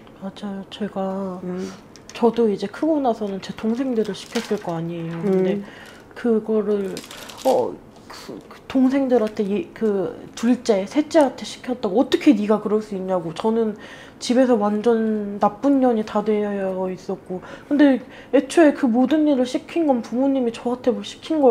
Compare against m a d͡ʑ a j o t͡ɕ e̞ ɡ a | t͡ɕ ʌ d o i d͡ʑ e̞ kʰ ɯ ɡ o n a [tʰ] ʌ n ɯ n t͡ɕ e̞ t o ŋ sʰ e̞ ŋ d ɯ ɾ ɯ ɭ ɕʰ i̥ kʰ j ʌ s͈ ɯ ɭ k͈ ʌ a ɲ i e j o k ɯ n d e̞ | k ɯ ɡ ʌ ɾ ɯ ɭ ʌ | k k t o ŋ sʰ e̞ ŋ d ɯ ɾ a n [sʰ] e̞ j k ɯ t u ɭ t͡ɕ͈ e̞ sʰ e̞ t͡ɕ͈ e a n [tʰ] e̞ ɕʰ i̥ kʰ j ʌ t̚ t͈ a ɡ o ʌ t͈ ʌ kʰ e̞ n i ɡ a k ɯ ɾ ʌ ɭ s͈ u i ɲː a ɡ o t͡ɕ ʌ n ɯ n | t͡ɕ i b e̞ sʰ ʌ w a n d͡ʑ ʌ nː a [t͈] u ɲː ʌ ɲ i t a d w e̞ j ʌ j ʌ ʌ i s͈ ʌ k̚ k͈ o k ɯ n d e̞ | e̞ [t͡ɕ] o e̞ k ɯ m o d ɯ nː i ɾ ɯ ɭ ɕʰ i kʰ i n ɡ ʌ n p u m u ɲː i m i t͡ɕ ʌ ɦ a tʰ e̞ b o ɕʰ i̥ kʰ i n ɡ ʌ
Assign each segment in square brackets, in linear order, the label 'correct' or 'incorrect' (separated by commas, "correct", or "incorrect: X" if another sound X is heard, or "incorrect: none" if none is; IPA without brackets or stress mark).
incorrect: sʰ, incorrect: tʰ, correct, incorrect: p͈, incorrect: t͡ɕʰ